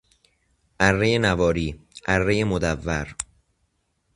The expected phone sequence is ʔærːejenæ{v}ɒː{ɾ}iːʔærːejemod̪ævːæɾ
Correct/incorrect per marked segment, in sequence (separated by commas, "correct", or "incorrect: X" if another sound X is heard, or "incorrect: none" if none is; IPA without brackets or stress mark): correct, correct